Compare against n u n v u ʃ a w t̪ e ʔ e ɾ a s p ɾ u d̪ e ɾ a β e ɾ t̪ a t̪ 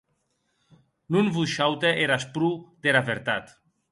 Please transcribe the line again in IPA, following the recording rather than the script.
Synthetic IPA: n u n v u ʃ a w t̪ e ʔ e ɾ a s p ɾ u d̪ e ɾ a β e ɾ t̪ a t̪

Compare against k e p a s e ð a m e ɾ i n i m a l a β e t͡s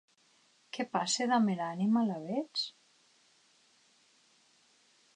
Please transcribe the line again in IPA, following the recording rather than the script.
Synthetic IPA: k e p a s e ð a m e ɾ a n i m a l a β e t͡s

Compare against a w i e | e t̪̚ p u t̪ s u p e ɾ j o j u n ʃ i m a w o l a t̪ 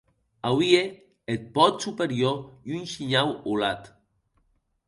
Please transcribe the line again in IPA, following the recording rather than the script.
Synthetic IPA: a w i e | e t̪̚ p ɔ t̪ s u p e ɾ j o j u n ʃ i ɲ a w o l a t̪

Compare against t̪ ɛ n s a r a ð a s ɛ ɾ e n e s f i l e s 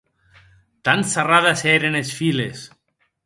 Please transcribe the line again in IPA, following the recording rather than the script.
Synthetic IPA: t̪ a n s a r a ð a s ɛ ɾ e n e s f i l e s

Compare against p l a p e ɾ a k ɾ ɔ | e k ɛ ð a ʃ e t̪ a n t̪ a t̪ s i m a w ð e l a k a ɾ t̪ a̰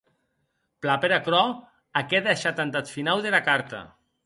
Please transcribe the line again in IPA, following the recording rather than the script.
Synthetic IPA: p l a p e ɾ a k ɾ ɔ | a k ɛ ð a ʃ a t̪ a n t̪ a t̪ f i n a w ð e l a k a ɾ t̪ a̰

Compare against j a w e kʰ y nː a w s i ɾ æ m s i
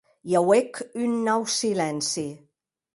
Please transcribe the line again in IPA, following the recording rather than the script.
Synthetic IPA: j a w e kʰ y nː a w s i l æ n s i

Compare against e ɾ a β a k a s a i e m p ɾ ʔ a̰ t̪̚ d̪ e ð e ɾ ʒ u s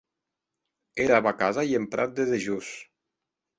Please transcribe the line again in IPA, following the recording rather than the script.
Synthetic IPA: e ɾ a β a k a z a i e m p ɾ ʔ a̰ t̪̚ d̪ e ð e ʒ u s

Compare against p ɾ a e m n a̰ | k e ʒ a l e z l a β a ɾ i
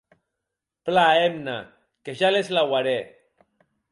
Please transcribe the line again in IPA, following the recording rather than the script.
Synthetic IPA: p l a e m n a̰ | k e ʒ a l e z l a w a ɾ e

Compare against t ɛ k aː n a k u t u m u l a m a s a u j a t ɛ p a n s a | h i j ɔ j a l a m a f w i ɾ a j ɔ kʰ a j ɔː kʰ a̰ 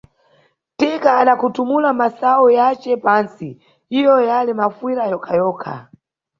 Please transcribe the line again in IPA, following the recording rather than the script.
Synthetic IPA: t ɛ k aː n a k u t u m u l a m a s a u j a t͡ʃ ɛ p a n s i | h i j ɔ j a l i m a f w i ɾ a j ɔ kʰ a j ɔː kʰ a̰

